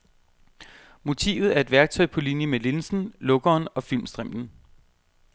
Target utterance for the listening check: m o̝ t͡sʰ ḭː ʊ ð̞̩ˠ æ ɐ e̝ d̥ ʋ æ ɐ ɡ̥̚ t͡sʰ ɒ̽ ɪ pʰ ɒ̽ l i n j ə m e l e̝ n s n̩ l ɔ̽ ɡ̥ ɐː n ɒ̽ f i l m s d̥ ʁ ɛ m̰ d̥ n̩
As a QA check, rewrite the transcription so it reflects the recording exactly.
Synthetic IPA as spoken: m o̝ t͡sʰ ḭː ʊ ð̞̩ˠ æ ɐ e̝ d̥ ʋ æ ɐ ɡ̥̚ t͡sʰ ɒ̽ ɪ pʰ ɒ̽ l i n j ə m e l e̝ n s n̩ l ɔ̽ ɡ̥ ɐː n ɒ̽ f i l m s d̥ ʁ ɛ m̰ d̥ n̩